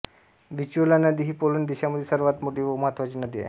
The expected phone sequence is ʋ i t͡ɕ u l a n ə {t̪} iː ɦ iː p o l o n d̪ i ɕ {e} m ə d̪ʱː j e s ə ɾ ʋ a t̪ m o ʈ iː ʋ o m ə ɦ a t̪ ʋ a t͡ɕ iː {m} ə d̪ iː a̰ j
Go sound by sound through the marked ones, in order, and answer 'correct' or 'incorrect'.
incorrect, incorrect, incorrect

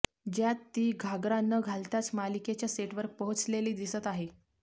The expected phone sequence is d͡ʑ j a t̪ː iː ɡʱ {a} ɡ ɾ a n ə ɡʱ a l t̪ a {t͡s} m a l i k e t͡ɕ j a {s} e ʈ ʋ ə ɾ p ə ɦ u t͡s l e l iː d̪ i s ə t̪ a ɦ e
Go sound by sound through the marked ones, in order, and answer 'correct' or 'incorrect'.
correct, correct, correct

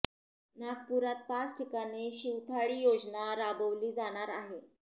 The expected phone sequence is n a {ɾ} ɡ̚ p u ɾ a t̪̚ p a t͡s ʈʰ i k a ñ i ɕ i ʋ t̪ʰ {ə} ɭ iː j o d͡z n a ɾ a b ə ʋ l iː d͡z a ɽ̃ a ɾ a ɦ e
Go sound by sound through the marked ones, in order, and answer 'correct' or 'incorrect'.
incorrect, incorrect

